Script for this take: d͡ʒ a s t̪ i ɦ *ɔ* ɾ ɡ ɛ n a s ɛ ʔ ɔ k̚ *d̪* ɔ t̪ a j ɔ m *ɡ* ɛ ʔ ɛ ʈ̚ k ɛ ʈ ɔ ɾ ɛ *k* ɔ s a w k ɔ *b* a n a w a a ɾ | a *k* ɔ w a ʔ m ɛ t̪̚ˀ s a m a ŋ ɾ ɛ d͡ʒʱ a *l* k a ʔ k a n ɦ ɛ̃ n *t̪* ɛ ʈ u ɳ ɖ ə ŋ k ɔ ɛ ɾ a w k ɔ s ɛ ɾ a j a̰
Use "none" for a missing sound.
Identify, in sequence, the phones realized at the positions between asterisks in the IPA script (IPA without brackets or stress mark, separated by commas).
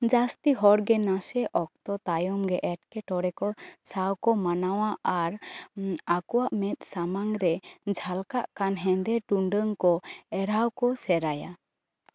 ɔ, t̪, ɡ, k, m, k, l, d̪